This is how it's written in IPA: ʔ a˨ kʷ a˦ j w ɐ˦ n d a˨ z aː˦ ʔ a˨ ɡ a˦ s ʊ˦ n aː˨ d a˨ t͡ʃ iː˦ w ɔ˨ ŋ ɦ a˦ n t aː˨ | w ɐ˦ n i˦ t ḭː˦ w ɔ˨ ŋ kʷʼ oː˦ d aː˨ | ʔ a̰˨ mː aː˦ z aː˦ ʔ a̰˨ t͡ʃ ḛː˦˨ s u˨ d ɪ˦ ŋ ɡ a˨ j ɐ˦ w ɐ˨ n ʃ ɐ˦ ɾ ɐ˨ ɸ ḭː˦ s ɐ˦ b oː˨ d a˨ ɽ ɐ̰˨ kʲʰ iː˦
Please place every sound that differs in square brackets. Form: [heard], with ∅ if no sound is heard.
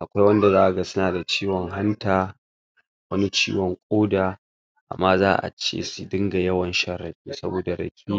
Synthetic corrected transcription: ʔ a˨ kʷ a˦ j w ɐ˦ n d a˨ z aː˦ ʔ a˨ ɡ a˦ s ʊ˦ n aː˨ d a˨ t͡ʃ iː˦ w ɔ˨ ŋ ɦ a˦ n t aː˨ | w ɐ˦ n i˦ [t͡ʃ] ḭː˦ w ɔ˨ ŋ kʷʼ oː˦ d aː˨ | ʔ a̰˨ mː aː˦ z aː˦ ʔ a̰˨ t͡ʃ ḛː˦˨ s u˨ d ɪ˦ ŋ ɡ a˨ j ɐ˦ w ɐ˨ n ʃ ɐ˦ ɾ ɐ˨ ɸ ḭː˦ s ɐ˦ b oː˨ d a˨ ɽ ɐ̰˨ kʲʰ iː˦